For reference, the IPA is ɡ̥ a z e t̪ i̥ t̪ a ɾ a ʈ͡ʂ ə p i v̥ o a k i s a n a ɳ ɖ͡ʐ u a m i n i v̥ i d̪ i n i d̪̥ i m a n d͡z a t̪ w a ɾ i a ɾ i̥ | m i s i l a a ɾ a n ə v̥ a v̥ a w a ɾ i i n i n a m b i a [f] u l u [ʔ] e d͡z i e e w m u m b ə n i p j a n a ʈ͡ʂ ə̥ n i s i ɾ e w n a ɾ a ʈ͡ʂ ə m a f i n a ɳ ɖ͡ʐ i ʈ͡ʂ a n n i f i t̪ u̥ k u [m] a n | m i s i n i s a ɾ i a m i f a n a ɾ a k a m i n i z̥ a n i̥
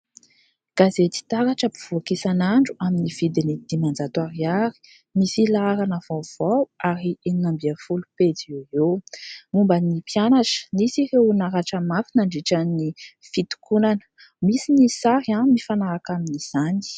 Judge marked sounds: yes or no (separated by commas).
yes, no, no